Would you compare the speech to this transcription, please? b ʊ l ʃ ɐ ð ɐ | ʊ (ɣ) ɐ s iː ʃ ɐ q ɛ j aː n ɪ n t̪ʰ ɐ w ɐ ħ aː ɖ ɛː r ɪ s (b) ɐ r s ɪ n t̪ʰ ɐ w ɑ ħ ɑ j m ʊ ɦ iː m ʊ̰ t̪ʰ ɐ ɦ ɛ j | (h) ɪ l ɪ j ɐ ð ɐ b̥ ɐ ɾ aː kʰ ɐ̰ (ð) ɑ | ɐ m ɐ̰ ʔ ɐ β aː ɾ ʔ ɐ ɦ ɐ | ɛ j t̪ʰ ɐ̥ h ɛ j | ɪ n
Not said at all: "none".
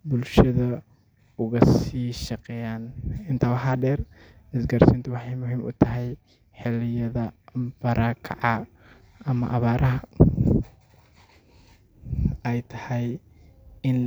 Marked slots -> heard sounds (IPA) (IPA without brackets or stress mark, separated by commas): ɣ, ɡ, ħ, ʕ